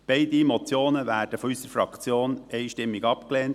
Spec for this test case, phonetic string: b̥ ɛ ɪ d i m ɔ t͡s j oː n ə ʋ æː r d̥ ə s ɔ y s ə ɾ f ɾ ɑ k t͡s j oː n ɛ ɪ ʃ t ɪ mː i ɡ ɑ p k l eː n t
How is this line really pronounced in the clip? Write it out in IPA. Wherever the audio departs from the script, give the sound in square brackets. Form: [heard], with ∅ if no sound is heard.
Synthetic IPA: b̥ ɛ ɪ d i m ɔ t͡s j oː n ə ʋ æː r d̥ ə [f] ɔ y s ə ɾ f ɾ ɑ k t͡s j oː n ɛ ɪ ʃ t ɪ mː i ɡ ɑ p k l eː n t